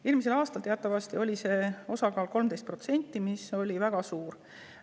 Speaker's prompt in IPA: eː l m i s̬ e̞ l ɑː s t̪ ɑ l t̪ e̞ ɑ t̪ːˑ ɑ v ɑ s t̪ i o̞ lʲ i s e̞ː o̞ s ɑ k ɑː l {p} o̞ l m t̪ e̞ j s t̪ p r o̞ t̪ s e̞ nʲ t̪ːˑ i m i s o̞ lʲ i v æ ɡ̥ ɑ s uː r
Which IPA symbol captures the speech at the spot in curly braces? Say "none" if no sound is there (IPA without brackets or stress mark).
k